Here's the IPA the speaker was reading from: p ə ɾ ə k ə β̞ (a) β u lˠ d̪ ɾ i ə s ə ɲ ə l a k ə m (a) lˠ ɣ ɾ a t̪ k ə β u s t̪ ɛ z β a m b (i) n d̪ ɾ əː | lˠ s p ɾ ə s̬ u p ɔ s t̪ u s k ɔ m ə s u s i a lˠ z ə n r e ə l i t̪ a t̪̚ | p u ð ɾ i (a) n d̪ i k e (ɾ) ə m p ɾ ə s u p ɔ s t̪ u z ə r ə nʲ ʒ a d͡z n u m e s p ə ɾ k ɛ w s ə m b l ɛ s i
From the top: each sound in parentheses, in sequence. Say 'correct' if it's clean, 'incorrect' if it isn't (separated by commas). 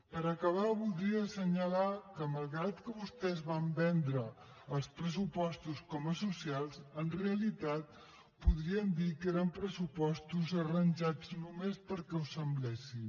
correct, incorrect, incorrect, incorrect, correct